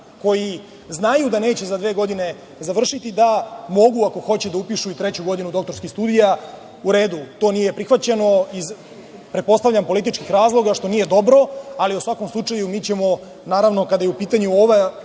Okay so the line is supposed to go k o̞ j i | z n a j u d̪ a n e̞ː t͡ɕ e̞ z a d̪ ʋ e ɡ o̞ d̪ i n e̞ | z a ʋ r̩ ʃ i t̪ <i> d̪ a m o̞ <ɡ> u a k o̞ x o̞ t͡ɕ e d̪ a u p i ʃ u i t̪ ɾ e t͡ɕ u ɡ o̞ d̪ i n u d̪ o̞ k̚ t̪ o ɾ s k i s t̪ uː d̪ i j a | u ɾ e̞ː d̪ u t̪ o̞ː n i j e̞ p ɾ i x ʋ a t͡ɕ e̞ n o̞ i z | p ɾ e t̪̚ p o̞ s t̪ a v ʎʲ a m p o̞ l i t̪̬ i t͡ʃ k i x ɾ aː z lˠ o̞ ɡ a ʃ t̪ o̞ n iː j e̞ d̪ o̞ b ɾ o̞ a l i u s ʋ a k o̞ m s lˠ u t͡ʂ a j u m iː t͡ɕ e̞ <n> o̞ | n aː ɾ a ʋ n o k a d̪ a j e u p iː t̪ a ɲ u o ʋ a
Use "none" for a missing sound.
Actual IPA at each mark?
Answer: i, ɡ, m

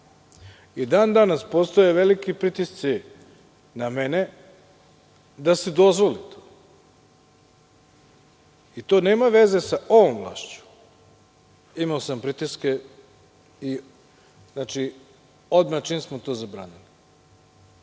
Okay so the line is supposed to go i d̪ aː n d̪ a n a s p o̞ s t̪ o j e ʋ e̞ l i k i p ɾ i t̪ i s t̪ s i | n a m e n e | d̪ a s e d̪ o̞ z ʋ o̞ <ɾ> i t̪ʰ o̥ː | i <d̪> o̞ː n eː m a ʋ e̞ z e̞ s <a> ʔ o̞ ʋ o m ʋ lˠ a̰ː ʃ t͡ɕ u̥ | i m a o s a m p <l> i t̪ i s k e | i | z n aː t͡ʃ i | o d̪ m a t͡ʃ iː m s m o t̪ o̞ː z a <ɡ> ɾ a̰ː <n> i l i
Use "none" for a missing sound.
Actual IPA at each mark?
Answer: l, t̪, a, ɾ, b, n

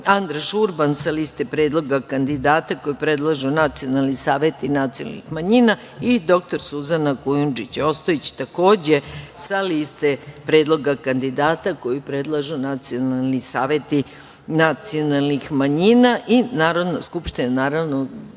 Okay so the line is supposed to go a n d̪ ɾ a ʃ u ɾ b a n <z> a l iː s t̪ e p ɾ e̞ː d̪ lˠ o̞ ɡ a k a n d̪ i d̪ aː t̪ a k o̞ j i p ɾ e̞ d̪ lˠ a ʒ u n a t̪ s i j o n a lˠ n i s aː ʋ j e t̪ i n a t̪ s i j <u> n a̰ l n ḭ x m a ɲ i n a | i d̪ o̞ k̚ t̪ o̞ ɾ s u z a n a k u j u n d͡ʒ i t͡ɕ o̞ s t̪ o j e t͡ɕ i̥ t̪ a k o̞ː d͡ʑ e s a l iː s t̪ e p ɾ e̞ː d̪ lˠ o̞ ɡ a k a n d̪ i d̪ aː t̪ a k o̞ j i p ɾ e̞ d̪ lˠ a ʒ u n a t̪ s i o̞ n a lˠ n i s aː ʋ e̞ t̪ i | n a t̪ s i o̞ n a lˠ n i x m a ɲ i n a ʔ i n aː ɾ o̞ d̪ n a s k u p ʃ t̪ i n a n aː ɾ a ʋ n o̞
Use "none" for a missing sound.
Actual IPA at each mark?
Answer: s, o

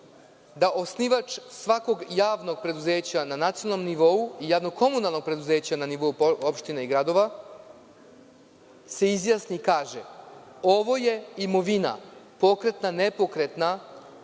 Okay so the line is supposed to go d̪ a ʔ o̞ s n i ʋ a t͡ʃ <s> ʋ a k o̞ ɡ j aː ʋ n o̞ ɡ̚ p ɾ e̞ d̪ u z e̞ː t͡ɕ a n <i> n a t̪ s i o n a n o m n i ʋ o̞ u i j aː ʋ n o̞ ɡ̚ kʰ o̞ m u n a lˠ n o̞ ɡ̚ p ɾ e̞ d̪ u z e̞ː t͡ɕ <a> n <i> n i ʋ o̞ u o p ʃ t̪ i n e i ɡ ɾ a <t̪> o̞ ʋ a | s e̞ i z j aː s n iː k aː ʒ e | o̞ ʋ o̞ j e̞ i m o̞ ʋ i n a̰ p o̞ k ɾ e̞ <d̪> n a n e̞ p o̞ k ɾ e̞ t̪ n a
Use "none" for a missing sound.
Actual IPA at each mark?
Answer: s, a, a, a, d̪, t̪

